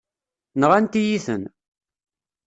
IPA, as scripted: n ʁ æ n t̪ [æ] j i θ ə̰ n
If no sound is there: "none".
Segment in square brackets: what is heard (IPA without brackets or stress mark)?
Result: i